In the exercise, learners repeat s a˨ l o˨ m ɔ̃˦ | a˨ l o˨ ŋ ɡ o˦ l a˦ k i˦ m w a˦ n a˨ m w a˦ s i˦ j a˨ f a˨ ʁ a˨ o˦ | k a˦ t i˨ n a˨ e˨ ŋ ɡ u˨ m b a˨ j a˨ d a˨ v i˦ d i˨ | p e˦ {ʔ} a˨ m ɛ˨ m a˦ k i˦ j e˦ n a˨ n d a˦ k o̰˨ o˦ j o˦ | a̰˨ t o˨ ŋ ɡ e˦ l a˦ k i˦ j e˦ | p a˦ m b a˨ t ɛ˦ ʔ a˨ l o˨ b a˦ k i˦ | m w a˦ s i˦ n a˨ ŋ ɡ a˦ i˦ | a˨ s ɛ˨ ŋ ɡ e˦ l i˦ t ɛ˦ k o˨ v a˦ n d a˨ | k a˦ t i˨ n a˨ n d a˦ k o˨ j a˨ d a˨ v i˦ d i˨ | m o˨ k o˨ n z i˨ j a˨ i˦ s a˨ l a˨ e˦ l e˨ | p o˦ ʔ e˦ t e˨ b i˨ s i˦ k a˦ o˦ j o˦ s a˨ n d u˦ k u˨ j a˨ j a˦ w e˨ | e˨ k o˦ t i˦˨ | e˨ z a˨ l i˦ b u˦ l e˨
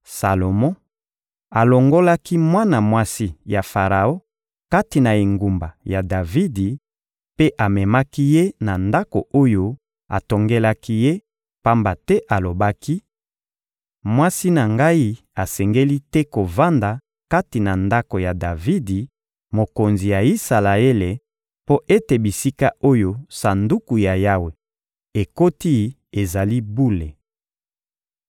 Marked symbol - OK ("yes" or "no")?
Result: yes